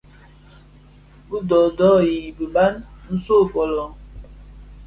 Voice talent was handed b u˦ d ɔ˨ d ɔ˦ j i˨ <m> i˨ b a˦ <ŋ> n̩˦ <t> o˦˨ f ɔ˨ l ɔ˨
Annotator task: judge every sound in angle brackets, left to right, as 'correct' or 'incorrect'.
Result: incorrect: b, incorrect: n, incorrect: s

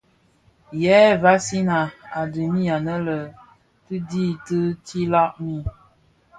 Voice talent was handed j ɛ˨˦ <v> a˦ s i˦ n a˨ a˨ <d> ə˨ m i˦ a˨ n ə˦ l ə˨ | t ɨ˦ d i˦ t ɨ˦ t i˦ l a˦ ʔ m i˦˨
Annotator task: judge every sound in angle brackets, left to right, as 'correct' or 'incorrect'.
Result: correct, correct

